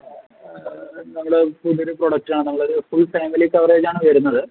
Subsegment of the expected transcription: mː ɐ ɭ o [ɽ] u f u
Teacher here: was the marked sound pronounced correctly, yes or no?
no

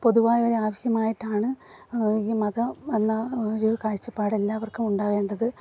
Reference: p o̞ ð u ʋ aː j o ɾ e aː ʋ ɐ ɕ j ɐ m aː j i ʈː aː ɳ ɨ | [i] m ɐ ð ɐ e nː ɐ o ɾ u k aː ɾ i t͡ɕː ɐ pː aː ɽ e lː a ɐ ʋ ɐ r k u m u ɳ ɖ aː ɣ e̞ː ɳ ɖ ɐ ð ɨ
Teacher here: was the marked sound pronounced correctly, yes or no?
no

